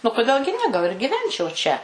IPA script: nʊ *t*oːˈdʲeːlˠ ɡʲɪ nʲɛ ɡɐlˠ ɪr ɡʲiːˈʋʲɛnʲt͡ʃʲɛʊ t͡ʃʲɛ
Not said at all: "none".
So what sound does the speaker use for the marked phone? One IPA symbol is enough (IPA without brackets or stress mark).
k